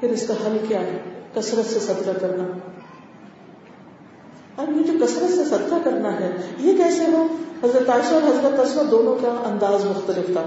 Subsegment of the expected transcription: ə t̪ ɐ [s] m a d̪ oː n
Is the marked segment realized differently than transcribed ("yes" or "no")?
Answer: no